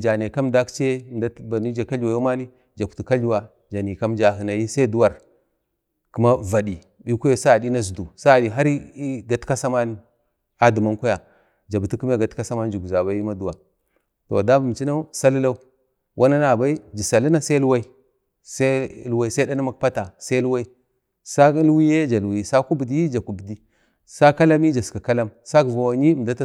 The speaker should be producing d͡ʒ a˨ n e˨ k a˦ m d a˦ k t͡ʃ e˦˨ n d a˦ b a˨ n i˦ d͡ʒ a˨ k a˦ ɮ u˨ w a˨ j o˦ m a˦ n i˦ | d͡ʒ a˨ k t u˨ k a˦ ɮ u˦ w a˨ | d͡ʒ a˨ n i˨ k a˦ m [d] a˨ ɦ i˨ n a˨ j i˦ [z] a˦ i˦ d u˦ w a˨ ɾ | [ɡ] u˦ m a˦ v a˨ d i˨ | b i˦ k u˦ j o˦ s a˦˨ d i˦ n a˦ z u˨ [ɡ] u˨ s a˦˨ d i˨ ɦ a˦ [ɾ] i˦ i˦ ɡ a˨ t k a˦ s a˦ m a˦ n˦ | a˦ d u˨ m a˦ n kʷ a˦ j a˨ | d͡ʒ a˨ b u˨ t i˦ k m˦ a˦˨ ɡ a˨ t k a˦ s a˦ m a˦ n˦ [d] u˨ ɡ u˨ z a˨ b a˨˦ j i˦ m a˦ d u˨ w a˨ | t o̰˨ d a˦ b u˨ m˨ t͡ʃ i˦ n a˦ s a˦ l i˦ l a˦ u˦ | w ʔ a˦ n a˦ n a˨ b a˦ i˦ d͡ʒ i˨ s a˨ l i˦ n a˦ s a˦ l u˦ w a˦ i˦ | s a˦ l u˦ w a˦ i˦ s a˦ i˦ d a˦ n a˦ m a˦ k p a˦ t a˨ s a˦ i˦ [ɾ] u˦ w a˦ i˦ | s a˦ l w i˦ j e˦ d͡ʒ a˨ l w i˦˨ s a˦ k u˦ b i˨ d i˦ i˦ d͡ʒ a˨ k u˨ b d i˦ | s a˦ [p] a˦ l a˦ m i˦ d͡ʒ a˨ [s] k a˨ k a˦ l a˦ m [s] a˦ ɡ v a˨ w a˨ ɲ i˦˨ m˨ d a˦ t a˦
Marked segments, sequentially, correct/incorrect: incorrect: d͡ʒ, incorrect: s, incorrect: k, incorrect: d, correct, incorrect: d͡ʒ, incorrect: l, incorrect: k, correct, correct

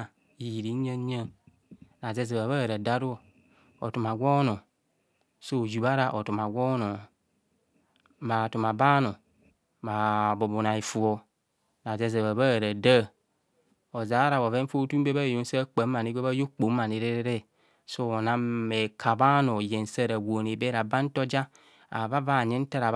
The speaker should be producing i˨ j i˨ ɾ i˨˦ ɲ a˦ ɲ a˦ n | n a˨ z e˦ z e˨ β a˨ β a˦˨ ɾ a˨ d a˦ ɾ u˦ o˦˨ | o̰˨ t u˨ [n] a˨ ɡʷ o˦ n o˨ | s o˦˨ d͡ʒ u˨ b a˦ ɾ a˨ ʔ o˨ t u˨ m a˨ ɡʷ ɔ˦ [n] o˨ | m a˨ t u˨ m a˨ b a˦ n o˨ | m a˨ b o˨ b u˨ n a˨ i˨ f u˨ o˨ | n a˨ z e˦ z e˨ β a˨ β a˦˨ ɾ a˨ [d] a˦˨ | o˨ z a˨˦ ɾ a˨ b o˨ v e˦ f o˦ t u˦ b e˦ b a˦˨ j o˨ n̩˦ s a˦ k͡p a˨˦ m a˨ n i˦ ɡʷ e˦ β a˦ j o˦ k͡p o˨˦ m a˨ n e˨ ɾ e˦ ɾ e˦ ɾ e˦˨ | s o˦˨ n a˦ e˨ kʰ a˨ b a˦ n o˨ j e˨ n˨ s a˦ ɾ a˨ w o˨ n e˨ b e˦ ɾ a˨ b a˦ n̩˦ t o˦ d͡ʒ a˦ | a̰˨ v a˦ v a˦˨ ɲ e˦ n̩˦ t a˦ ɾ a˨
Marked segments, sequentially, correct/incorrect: incorrect: m, correct, correct

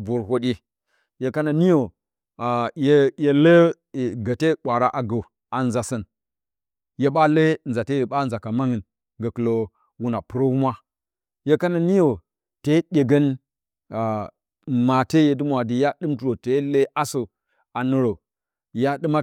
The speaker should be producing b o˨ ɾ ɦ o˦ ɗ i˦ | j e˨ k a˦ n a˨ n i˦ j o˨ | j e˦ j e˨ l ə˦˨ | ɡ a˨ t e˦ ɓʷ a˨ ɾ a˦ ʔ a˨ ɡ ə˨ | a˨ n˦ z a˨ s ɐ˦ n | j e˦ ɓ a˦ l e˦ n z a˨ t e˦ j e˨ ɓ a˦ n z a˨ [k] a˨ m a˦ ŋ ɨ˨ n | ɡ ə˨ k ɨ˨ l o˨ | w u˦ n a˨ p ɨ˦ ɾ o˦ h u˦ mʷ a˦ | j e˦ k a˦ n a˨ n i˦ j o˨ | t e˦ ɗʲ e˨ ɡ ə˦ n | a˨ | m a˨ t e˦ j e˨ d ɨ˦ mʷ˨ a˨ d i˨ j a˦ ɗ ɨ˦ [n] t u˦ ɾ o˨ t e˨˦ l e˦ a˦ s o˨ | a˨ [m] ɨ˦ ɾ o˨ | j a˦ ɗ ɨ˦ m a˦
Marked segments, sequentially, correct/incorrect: correct, incorrect: m, incorrect: n

